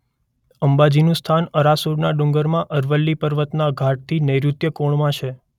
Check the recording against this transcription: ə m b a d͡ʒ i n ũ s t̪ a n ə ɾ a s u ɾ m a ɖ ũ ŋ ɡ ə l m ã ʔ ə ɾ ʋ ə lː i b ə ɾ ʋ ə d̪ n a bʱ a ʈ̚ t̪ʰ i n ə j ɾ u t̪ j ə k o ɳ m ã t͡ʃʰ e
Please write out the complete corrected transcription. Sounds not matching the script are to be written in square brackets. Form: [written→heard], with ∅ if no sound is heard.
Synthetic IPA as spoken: ə m b a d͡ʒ i n ũ s [t̪→t̪ʰ] a n ə ɾ a s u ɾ [m→n] a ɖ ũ ŋ ɡ ə [l→ɾ] m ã ʔ ə ɾ ʋ ə lː i [b→p] ə ɾ ʋ ə [d̪→t̪] n a [bʱ→ɡʱ] a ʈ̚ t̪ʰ i n ə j ɾ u t̪ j ə k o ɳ m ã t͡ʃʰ e

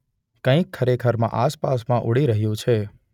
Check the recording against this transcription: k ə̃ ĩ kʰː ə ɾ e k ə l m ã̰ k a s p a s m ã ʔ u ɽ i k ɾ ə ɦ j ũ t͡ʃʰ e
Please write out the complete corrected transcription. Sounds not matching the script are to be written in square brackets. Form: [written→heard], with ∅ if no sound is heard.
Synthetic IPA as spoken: k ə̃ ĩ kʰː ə ɾ e [k→kʰ] ə [l→ɾ] m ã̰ [k→ʔ] a s p a s m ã ʔ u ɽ i [k→∅] ɾ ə ɦ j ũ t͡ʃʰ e

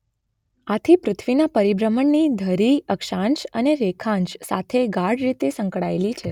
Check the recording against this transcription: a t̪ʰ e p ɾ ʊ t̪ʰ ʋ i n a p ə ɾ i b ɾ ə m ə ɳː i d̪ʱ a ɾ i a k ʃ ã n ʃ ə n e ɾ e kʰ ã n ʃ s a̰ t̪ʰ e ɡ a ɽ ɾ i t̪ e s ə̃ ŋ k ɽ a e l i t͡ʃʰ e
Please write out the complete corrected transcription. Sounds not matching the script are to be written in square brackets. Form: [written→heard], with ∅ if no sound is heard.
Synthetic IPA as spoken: a t̪ʰ [e→i] p ɾ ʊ t̪ʰ ʋ i n a p ə ɾ i b ɾ ə m ə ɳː i d̪ʱ [a→ə] ɾ i [a→ə] k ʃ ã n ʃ ə n e ɾ e kʰ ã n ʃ s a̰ t̪ʰ e ɡ a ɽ ɾ i t̪ e s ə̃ ŋ k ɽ a e l i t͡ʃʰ e

